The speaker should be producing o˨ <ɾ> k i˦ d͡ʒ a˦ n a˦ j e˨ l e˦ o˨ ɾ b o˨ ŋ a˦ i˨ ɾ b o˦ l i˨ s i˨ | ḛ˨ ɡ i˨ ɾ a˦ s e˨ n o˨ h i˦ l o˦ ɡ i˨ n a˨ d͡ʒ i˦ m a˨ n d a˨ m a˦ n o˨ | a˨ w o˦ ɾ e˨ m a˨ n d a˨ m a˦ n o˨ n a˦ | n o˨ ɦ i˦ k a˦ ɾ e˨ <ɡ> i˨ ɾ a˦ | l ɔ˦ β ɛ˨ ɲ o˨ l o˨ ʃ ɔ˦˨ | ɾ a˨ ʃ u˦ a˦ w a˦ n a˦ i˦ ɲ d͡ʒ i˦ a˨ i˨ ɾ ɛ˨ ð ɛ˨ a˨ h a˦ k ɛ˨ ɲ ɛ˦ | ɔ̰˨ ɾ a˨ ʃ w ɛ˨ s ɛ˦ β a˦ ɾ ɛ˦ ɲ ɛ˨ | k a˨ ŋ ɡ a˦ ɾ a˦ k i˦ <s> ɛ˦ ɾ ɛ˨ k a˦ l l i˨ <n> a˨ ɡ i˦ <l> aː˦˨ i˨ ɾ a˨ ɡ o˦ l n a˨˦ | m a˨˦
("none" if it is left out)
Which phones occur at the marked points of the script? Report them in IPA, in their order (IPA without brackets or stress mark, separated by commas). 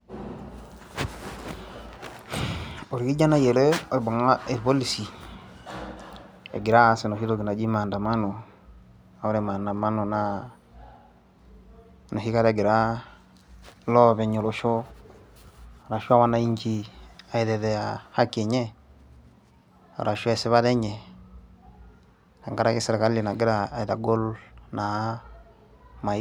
ɾ, ɡ, s, n, ɾ